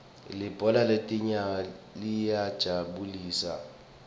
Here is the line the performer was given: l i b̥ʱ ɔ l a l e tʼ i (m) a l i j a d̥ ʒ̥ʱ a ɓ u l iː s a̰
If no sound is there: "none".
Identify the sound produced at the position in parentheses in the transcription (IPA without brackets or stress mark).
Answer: ɲ